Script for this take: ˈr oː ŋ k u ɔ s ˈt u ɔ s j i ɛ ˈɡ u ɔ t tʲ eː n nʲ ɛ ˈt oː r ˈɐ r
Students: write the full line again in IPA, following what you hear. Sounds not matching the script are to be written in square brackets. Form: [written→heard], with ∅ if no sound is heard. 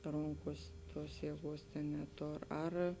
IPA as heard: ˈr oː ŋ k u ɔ s ˈt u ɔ s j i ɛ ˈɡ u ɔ [t→s] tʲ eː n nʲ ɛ ˈt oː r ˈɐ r